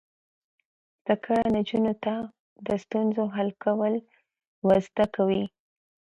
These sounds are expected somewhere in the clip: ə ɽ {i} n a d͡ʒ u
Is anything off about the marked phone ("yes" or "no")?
yes